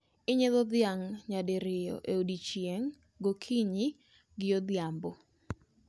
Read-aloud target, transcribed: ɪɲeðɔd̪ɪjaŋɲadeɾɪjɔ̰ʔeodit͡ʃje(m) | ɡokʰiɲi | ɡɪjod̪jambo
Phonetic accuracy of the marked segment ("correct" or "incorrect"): incorrect